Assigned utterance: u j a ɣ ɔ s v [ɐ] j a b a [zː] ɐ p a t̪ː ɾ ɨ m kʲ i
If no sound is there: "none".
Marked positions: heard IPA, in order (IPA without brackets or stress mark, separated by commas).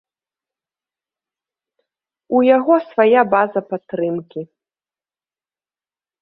a, z